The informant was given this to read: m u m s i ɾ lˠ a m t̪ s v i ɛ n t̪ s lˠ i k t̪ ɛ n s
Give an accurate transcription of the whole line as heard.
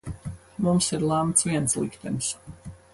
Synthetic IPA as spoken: m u m s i ɾ lˠ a m t̪ s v i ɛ n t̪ s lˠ i k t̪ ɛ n s